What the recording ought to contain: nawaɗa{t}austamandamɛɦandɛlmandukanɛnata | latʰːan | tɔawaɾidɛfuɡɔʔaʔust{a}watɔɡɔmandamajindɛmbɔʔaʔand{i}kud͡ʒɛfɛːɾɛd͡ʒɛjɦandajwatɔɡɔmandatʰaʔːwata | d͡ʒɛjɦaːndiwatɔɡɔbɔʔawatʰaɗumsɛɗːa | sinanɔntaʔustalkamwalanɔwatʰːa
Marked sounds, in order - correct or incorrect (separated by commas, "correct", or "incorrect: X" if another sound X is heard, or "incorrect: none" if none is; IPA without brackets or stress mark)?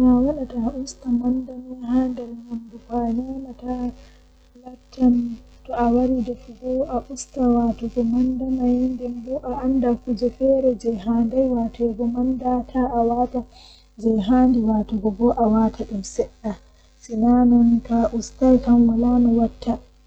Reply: correct, correct, incorrect: a